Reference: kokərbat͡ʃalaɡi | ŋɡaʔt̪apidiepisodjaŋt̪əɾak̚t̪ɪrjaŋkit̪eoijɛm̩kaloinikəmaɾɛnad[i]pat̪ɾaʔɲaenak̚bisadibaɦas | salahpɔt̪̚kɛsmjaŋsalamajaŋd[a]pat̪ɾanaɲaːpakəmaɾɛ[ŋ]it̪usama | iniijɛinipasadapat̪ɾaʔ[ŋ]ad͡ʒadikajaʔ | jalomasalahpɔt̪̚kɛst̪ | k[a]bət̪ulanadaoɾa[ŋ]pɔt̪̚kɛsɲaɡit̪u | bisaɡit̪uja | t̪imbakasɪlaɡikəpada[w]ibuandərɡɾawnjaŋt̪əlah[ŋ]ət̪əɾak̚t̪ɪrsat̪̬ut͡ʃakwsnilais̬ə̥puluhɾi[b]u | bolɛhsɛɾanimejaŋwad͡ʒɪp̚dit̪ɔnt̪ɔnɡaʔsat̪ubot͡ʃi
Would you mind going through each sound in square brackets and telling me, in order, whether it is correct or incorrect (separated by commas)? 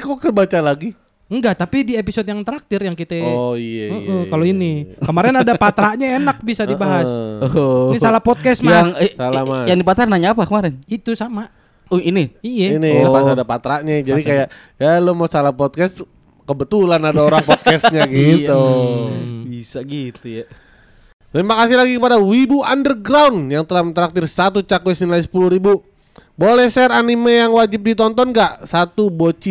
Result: incorrect, incorrect, incorrect, incorrect, incorrect, correct, correct, incorrect, correct